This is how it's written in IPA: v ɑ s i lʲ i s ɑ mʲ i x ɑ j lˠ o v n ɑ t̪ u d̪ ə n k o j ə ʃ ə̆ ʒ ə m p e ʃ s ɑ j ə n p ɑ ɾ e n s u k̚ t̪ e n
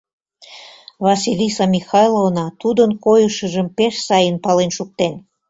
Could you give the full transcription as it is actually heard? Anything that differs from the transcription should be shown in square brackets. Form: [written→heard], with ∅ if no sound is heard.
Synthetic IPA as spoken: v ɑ s i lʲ i s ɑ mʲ i x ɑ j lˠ o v n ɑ t̪ u d̪ ə n k o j ə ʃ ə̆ ʒ ə m p e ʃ s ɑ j ə n p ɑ [ɾ→l] e n [s→ʃ] u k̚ t̪ e n